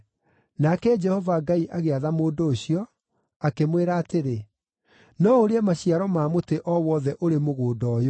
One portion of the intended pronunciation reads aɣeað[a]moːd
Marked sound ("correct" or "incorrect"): correct